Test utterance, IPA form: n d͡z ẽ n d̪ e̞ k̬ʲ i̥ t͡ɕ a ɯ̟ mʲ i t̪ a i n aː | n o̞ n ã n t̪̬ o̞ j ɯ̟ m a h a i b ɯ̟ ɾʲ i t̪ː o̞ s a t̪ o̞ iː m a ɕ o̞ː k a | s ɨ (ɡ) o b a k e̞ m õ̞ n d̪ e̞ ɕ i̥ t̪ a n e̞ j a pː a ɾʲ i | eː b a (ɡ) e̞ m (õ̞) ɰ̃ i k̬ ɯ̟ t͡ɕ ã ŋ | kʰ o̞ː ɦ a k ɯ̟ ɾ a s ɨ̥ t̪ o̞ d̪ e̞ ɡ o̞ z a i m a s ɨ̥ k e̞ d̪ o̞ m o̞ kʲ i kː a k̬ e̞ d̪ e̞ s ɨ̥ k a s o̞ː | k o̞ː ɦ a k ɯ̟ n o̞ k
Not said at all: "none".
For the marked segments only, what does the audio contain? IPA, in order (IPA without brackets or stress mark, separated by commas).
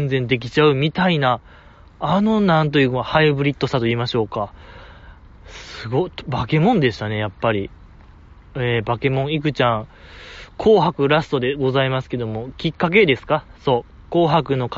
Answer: ɡ, k, õ̞